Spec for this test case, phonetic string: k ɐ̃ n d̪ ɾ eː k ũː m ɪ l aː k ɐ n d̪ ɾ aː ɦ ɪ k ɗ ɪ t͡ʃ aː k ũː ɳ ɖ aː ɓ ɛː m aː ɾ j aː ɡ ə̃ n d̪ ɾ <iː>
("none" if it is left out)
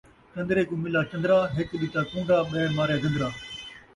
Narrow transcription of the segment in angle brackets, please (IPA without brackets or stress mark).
aː